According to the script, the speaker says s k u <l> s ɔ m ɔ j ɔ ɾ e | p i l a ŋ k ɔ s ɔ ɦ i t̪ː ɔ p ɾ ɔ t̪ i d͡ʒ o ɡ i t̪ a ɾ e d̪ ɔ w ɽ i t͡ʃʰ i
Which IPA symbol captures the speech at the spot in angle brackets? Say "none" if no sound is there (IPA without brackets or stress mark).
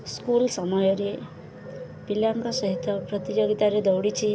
l